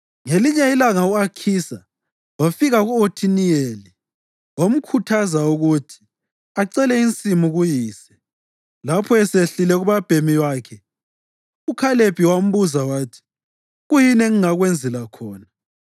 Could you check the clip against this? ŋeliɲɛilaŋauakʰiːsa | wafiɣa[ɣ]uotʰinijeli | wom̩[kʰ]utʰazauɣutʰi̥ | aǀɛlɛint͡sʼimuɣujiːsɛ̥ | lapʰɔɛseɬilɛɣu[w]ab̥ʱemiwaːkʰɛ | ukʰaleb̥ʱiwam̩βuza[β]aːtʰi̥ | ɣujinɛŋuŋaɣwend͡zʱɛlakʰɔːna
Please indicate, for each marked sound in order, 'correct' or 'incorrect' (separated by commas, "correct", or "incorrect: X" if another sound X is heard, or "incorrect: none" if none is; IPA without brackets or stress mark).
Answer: correct, correct, incorrect: β, incorrect: w